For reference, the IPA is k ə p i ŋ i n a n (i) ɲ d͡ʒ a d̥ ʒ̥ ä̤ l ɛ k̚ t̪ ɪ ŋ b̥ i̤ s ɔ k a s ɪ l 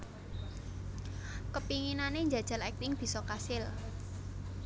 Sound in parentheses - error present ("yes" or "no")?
yes